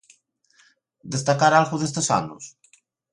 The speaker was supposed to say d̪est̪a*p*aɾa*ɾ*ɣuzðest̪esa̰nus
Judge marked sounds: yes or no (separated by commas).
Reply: no, no